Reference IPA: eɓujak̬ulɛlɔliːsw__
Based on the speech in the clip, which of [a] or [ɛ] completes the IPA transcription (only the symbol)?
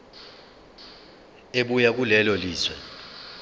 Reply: ɛ